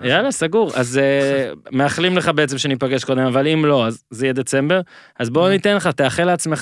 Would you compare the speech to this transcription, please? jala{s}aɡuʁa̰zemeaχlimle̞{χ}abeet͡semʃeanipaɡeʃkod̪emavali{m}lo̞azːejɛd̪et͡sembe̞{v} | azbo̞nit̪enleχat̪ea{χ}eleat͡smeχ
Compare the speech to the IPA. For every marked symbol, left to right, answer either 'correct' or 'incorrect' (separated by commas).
correct, correct, correct, incorrect, correct